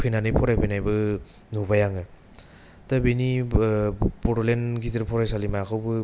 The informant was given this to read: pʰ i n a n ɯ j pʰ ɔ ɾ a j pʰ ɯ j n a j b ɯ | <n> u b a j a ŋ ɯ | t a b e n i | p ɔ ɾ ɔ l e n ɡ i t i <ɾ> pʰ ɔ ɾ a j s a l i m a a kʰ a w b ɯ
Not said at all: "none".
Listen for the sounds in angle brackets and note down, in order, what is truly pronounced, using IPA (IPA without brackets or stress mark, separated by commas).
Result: n, ɾ